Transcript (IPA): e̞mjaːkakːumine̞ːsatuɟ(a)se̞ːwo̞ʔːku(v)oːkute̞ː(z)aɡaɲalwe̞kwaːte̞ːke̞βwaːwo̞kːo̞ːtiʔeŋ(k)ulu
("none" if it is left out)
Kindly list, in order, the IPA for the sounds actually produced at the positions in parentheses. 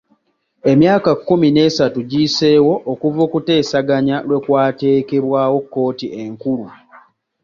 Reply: i, v, s, k

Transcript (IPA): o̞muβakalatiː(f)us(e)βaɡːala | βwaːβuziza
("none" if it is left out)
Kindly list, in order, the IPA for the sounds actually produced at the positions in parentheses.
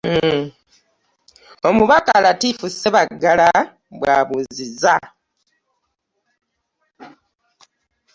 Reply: f, e

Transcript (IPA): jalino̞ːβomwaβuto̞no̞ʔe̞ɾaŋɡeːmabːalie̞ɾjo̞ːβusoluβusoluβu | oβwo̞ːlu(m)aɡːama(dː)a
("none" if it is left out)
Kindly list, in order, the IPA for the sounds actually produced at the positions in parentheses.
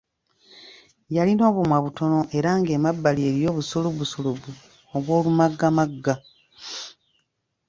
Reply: m, ɡː

